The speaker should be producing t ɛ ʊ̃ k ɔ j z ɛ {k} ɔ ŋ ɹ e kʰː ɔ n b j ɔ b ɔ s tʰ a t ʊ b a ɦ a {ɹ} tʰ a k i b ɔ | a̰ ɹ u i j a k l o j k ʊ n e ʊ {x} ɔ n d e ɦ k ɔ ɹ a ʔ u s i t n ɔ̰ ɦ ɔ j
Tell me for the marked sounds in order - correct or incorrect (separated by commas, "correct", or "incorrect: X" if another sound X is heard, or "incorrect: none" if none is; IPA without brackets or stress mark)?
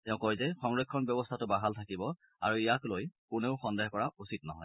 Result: incorrect: x, incorrect: l, correct